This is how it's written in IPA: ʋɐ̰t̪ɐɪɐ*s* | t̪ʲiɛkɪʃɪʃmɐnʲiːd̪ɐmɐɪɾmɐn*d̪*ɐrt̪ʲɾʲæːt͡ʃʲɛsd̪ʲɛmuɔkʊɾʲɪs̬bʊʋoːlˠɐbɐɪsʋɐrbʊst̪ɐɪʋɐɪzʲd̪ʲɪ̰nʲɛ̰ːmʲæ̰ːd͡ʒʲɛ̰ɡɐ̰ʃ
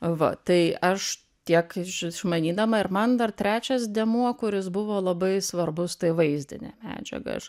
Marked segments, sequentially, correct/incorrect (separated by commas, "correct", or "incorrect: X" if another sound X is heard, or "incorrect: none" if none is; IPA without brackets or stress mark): incorrect: ʃ, correct